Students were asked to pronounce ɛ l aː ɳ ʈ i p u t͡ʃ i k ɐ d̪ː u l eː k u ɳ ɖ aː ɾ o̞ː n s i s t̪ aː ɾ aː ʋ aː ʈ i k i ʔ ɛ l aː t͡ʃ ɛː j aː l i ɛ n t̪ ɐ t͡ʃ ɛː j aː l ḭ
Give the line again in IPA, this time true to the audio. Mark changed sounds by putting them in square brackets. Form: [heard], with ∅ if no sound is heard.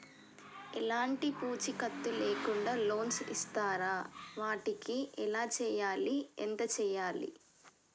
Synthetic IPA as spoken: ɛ l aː ɳ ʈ i p [uː] t͡ʃ i k ɐ [t̪ː] u l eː k u ɳ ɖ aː [l] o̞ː n s i s t̪ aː ɾ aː ʋ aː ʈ i k i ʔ ɛ l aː t͡ʃ ɛː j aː l i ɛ n t̪ ɐ t͡ʃ ɛː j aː l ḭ

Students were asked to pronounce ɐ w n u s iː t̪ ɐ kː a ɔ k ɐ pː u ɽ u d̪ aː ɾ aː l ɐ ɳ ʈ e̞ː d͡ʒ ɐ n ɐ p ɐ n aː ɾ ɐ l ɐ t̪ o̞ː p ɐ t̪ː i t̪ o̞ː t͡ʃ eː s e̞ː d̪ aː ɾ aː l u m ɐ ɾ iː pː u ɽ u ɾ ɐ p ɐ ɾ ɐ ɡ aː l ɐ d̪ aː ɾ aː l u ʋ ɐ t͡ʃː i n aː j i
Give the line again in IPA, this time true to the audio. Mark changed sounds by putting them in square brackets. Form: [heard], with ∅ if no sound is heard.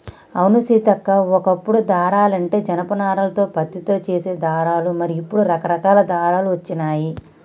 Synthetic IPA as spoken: ɐ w n u s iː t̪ ɐ kː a ɔ k ɐ pː u ɽ u d̪ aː ɾ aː l ɐ ɳ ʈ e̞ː d͡ʒ ɐ n ɐ p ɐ n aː ɾ ɐ l ɐ t̪ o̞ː p ɐ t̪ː i t̪ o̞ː t͡ʃ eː s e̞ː d̪ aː ɾ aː l u m ɐ ɾ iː pː u ɽ u ɾ ɐ [k] ɐ ɾ ɐ [k] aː l ɐ d̪ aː ɾ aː l u ʋ ɐ t͡ʃː i n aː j i

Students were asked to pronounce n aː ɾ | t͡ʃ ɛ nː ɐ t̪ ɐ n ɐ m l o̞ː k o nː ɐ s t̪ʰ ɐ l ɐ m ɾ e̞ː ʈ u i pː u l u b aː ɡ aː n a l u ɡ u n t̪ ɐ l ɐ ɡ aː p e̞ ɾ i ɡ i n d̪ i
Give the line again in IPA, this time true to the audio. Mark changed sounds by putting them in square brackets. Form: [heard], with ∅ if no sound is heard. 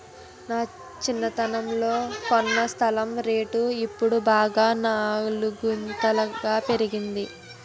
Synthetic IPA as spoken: n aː [∅] | t͡ʃ [i] nː ɐ t̪ ɐ n ɐ m l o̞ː k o nː ɐ s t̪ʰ ɐ l ɐ m ɾ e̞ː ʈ u i pː u [ɽ] u b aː ɡ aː n a l u ɡ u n t̪ ɐ l ɐ ɡ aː p e̞ ɾ i ɡ i n d̪ i

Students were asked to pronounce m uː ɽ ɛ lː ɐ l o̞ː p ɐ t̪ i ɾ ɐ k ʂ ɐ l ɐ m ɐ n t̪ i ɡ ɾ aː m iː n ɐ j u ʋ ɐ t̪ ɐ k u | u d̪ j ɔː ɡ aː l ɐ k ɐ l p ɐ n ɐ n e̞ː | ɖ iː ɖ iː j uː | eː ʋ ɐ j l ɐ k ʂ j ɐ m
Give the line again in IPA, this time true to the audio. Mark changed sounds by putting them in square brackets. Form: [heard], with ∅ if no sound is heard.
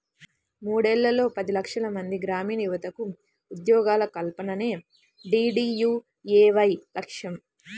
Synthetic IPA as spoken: m uː ɽ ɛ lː ɐ l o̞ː p ɐ [d̪] i [l] ɐ k ʂ ɐ l ɐ m ɐ n [d̪] i ɡ ɾ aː m iː n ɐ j u ʋ ɐ t̪ ɐ k u | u d̪ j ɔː ɡ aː l ɐ k ɐ l p ɐ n ɐ n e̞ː | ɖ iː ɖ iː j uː | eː ʋ ɐ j l ɐ k ʂ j ɐ m

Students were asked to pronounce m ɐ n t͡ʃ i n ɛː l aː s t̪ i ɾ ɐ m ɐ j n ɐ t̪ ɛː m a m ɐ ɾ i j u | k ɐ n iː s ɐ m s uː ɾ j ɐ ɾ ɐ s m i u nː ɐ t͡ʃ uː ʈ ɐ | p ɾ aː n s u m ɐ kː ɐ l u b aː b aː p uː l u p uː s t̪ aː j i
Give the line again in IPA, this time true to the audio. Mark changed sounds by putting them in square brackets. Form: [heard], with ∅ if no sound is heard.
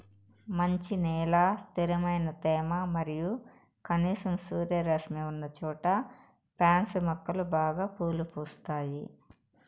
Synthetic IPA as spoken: m ɐ [ɲ] t͡ʃ i n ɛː l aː s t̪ i ɾ ɐ m ɐ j n ɐ t̪ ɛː m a m ɐ ɾ i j u | k ɐ n iː s ɐ m s uː ɾ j ɐ ɾ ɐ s m i u nː ɐ t͡ʃ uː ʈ ɐ | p ɾ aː n s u m ɐ kː ɐ l u b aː [ɡ] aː p uː l u p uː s t̪ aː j i

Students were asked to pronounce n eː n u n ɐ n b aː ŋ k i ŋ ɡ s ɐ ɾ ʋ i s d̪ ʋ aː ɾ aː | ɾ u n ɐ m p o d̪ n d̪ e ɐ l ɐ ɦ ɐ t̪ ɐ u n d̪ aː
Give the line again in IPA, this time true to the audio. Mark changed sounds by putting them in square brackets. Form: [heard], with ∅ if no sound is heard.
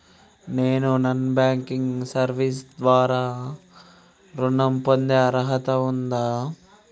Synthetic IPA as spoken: n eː n u n ɐ n b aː ŋ k i ŋ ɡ s ɐ ɾ ʋ i s d̪ ʋ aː ɾ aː | ɾ u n ɐ m p o [∅] n d̪ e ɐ [ɾ] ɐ ɦ ɐ t̪ ɐ u n d̪ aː

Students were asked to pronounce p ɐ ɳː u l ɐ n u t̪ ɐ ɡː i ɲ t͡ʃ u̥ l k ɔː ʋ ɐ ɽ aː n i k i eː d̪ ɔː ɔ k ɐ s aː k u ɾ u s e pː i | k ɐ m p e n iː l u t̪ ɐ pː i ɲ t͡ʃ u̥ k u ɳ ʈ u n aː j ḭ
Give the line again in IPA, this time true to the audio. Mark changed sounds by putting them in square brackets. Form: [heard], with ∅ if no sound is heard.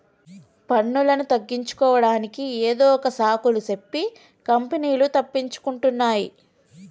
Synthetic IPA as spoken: p ɐ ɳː u l ɐ n u t̪ ɐ ɡː i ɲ t͡ʃ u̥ [∅] k ɔː ʋ ɐ ɽ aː n i k i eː d̪ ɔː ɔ k ɐ s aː k u [l] u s e pː i | k ɐ m p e n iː l u t̪ ɐ pː i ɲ t͡ʃ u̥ k u ɳ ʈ u [nː] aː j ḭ

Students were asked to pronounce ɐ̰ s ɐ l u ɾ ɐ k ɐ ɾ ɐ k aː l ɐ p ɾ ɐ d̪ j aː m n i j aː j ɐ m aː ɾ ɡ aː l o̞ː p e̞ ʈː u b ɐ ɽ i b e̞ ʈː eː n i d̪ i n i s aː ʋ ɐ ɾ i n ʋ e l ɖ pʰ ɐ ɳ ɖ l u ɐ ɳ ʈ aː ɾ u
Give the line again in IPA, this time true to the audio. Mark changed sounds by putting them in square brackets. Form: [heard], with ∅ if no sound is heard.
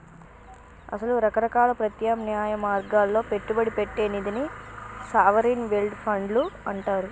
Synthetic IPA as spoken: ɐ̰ s ɐ l u ɾ ɐ k ɐ ɾ ɐ k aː l ɐ p ɾ ɐ [t̪] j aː m n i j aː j ɐ m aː ɾ ɡ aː [lː] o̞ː p e̞ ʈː u b ɐ ɽ i [p] e̞ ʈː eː n i d̪ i n i s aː ʋ ɐ ɾ i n ʋ e l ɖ pʰ ɐ ɳ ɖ l u ɐ ɳ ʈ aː ɾ u

